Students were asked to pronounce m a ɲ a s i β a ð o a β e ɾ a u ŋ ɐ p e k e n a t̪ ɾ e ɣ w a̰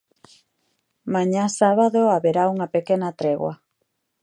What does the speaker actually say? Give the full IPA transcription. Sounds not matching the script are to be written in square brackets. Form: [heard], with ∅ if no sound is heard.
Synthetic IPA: m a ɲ a s [a] β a ð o a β e ɾ a u ŋ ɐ p e k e n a t̪ ɾ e ɣ w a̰

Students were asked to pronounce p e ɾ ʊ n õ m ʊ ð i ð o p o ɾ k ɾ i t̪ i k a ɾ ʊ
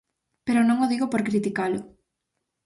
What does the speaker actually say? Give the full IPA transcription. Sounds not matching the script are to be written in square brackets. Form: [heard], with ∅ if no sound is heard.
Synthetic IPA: p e ɾ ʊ n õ [ŋ] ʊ ð i [ɣ] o p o ɾ k ɾ i t̪ i k a [l] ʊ

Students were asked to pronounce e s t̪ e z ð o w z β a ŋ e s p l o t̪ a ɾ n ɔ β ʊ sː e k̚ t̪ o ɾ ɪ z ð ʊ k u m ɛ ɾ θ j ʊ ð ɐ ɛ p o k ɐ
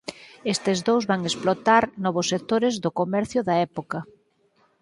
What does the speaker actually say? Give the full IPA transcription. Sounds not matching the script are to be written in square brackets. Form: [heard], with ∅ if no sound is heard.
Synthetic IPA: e s t̪ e z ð o w z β a ŋ e s p l o t̪ a ɾ n ɔ β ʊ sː e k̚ t̪ o ɾ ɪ z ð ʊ k [o] m ɛ ɾ θ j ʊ ð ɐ ɛ p o k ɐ

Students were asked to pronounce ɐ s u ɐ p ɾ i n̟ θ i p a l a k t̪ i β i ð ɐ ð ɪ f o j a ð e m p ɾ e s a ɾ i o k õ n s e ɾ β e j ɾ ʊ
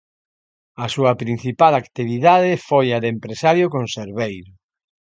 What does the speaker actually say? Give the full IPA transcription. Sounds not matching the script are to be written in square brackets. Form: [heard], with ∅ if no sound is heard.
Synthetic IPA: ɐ s u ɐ p ɾ i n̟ θ i p a l a k t̪ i β i ð [a] ð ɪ f o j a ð e m p ɾ e s a ɾ [j] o k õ n s e ɾ β e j ɾ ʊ

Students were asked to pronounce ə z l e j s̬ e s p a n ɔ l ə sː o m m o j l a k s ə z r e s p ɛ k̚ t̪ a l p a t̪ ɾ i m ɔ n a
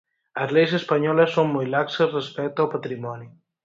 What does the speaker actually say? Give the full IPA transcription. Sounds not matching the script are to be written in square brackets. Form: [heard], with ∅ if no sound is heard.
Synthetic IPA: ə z l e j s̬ e s p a [ɲ] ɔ l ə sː o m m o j l a k s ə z r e s p ɛ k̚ t̪ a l p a t̪ ɾ i m ɔ n [i]

